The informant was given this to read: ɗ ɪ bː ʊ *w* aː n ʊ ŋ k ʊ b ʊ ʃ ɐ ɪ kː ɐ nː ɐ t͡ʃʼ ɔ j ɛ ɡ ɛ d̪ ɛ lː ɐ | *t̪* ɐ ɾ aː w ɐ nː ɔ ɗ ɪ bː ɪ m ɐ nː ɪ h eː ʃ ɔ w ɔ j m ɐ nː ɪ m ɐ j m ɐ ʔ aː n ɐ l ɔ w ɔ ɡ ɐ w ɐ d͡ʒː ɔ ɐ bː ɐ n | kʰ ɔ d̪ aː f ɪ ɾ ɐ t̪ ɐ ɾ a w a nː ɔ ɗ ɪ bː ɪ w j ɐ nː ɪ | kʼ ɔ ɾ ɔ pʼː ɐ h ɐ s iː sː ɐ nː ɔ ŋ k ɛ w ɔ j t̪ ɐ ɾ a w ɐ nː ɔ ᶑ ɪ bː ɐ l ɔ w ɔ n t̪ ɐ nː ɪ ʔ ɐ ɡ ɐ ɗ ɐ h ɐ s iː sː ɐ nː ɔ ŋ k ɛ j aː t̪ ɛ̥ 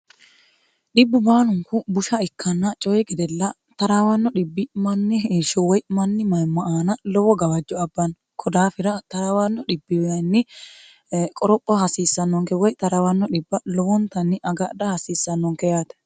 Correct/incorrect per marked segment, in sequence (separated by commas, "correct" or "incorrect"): incorrect, correct